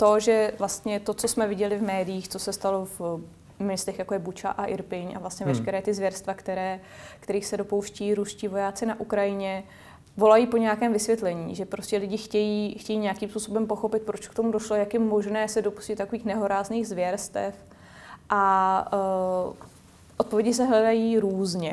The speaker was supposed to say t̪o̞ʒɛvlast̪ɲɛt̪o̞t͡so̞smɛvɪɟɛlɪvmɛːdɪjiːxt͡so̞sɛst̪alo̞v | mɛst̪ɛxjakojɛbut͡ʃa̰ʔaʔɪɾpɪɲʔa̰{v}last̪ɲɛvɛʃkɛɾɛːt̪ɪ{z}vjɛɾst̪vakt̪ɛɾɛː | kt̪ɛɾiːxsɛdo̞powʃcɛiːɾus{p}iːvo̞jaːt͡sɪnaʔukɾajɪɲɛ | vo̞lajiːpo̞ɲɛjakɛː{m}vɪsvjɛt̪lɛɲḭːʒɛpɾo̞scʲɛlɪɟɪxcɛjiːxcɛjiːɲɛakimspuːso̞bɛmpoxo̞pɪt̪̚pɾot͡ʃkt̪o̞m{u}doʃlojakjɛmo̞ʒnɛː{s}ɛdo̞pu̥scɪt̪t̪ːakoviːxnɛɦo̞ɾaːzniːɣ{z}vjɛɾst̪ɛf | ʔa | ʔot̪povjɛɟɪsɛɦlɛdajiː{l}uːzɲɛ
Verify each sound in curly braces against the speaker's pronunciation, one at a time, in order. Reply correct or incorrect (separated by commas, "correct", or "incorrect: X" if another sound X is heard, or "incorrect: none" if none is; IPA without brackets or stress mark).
correct, correct, incorrect: c, correct, correct, correct, correct, incorrect: ɾ